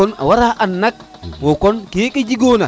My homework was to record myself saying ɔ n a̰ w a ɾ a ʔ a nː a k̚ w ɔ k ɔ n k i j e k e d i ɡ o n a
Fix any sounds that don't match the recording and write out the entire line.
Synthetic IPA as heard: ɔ n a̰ w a ɾ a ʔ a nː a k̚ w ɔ k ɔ n k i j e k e d͡ʒ i ɡ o n a